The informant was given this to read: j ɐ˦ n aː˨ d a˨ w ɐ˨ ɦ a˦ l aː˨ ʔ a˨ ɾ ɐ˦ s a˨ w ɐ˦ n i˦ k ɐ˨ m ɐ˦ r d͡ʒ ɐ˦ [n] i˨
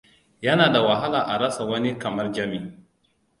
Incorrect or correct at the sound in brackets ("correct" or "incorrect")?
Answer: incorrect